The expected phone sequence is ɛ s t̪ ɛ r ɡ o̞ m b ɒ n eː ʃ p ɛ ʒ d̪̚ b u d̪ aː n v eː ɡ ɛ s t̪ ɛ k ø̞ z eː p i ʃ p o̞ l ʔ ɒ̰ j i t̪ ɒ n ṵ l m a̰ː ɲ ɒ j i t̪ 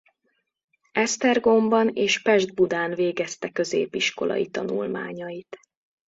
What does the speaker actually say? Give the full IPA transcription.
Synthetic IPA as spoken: ɛ s t̪ ɛ r ɡ o̞ m b ɒ n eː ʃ p ɛ ʒ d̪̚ b u d̪ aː n v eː ɡ ɛ s t̪ ɛ k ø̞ z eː p i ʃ k o̞ l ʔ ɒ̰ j i t̪ ɒ n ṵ l m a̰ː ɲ ɒ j i t̪